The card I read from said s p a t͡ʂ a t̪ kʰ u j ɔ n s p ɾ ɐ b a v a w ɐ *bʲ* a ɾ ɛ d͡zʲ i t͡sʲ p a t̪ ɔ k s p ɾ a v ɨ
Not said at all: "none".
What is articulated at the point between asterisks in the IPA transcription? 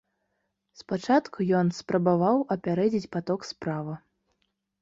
pʲ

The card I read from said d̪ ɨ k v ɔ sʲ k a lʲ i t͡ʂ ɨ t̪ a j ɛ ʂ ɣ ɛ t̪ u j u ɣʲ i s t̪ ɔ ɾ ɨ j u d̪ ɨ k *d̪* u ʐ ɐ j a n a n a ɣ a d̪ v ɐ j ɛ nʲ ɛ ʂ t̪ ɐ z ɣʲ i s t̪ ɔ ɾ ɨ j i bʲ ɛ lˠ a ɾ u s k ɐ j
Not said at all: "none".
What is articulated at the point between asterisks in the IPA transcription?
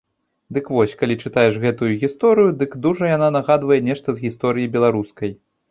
d̪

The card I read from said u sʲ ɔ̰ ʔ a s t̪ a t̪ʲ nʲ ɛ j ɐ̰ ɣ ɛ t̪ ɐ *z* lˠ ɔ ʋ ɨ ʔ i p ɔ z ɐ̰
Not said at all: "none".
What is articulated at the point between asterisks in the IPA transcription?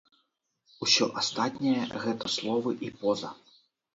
s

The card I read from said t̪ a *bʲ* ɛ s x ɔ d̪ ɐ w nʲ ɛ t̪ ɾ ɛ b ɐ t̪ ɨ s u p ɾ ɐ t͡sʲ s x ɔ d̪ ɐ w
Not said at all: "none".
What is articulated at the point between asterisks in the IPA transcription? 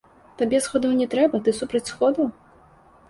bʲ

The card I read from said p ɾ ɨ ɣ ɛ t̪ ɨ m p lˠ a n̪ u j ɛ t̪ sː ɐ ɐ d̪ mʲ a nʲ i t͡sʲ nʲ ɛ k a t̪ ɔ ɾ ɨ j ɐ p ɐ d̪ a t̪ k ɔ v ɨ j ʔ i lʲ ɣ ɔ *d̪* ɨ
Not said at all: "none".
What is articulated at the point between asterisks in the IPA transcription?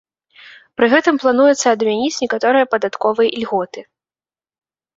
t̪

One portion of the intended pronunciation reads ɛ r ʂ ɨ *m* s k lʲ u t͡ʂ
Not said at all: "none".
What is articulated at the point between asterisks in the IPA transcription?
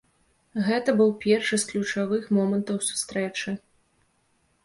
none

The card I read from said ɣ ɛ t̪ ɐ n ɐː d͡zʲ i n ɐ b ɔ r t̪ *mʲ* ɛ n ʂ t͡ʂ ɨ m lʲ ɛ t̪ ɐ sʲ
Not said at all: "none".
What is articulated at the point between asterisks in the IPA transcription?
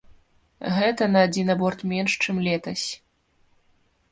mʲ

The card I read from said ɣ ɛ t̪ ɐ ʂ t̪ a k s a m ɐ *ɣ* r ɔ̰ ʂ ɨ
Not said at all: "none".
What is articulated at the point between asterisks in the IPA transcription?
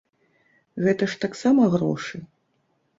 ɣ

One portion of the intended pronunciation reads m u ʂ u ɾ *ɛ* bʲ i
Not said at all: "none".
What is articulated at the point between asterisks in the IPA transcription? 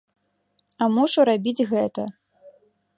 a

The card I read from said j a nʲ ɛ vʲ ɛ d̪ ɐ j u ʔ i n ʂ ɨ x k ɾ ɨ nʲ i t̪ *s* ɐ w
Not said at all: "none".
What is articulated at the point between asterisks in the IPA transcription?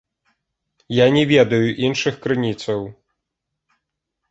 s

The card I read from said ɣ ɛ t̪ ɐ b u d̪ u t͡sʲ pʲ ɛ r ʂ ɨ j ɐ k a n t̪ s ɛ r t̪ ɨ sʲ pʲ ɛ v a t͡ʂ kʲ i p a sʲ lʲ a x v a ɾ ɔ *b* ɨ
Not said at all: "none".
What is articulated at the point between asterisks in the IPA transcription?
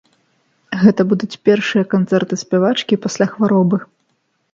b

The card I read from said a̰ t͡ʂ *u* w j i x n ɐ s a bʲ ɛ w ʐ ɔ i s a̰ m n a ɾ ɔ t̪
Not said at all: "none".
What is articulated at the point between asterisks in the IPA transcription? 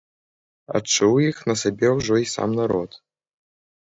u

